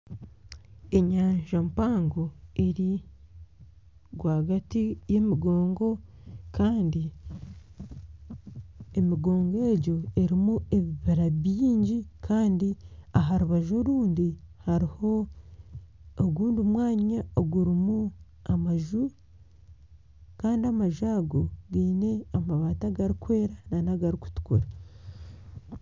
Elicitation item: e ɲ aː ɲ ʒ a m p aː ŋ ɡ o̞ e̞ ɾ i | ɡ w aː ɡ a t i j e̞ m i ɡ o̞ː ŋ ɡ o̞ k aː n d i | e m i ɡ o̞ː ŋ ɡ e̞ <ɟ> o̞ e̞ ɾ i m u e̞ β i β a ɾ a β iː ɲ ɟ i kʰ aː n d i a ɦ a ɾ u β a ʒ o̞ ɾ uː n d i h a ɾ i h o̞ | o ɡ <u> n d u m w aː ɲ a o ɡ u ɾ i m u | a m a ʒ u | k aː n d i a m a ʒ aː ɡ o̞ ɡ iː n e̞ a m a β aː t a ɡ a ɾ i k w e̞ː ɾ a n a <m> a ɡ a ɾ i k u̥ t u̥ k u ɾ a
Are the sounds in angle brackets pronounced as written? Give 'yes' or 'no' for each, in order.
yes, no, no

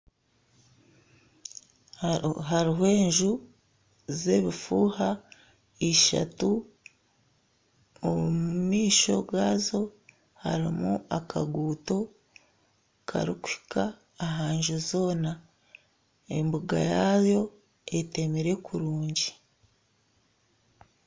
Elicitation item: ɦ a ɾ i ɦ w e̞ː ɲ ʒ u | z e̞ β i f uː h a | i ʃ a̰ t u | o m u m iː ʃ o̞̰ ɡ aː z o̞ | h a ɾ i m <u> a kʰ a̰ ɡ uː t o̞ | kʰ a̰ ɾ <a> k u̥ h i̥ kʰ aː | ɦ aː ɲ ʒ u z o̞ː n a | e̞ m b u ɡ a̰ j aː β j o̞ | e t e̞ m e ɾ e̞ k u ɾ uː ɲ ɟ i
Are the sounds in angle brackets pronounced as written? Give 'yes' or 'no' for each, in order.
yes, no

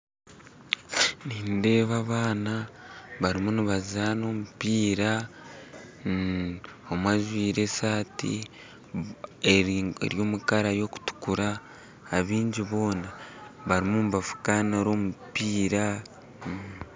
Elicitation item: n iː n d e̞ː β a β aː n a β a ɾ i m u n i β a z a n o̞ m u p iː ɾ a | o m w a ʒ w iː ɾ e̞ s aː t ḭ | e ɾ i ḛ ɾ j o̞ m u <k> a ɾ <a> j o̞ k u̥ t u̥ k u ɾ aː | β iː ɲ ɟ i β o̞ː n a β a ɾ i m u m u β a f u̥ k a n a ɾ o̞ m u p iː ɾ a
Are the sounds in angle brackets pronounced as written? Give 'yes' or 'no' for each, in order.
yes, yes

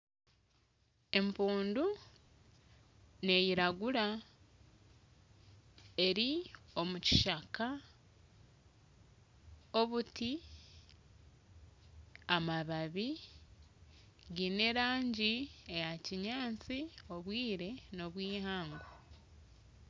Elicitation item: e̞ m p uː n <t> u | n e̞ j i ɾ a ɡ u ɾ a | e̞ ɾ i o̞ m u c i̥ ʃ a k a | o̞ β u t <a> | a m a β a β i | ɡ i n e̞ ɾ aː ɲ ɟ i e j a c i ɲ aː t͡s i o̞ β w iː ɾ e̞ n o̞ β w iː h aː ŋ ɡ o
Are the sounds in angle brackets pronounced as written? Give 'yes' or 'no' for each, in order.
no, no

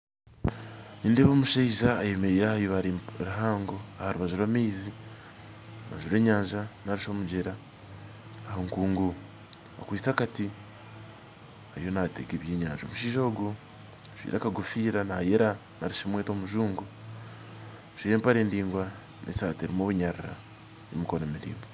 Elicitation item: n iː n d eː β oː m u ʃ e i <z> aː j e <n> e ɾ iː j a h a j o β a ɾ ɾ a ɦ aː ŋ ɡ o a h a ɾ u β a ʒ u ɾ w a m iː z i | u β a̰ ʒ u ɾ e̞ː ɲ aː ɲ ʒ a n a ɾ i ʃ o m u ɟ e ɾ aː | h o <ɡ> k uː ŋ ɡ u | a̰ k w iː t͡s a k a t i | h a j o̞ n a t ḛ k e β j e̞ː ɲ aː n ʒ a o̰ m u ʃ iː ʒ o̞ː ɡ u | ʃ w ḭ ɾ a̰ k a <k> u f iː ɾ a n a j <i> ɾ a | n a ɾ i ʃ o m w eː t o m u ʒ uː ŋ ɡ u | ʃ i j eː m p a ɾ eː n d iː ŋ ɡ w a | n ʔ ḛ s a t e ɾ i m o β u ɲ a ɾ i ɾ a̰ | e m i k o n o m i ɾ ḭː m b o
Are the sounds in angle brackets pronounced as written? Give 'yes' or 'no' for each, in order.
no, no, no, no, no

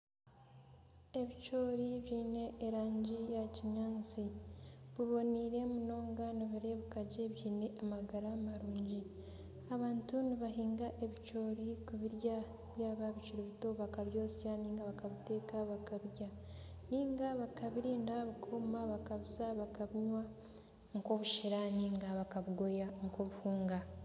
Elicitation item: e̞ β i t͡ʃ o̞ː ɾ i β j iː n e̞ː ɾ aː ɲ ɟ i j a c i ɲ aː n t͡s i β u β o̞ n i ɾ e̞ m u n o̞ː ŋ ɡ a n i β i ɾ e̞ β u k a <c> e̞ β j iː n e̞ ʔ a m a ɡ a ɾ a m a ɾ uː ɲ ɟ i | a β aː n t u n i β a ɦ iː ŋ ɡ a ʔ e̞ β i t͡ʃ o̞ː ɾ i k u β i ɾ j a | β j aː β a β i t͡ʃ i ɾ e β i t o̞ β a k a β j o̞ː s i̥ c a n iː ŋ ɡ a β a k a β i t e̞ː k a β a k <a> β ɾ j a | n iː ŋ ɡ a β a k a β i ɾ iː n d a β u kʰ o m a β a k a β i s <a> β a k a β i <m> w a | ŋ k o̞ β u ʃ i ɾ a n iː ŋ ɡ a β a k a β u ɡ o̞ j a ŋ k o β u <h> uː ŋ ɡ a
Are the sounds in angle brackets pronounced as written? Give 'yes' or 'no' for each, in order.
no, yes, yes, no, yes

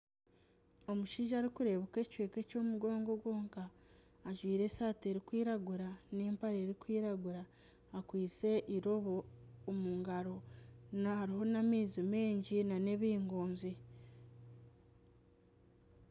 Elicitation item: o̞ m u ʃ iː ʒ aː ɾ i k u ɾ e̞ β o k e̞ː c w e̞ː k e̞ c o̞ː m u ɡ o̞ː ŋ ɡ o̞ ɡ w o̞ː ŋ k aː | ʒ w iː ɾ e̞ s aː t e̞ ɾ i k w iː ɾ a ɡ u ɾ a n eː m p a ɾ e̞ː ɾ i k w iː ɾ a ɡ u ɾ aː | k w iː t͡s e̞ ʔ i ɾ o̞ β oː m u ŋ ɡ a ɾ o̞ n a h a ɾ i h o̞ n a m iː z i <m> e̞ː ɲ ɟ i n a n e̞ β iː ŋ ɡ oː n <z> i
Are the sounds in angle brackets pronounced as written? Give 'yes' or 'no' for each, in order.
yes, yes

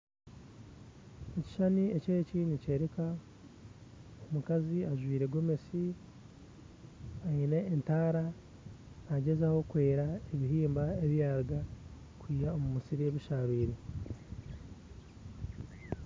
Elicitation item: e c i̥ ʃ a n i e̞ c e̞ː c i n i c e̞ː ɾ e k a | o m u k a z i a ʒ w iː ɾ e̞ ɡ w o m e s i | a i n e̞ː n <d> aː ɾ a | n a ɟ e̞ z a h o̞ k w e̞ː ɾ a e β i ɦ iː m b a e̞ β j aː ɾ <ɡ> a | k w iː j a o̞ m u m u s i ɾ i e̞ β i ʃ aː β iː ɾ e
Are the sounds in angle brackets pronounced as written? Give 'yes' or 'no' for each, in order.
no, yes

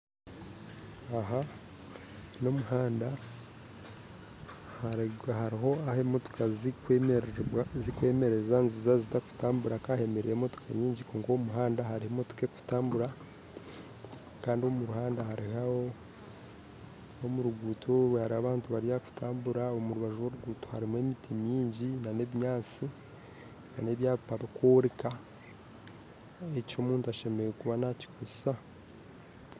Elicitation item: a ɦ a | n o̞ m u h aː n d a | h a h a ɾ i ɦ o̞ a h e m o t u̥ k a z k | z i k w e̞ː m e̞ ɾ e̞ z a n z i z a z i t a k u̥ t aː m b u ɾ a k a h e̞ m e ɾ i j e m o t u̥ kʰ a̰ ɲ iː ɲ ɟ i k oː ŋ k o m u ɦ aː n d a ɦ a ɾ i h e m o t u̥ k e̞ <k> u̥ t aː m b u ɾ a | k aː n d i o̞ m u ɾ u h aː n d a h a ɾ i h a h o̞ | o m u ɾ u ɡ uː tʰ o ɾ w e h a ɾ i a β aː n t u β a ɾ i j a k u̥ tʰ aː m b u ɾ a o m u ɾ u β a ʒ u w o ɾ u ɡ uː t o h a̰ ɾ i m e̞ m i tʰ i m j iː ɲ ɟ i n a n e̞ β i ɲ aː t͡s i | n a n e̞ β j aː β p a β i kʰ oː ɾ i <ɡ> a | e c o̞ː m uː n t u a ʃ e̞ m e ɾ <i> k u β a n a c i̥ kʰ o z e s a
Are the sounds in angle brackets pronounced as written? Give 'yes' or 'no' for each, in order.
yes, no, no

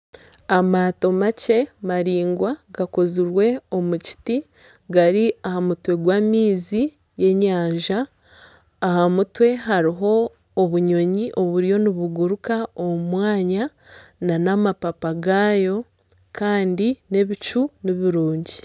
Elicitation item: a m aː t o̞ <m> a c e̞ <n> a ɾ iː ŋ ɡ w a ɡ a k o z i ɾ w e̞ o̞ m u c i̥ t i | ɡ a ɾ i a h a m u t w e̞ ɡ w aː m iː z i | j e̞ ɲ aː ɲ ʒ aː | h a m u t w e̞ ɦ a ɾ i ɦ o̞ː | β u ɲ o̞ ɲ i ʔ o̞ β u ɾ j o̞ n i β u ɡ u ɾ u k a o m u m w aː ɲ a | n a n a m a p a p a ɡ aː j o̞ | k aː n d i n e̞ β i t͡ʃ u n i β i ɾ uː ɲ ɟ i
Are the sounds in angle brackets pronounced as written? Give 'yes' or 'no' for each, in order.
yes, no

